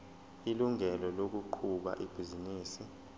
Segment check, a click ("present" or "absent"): present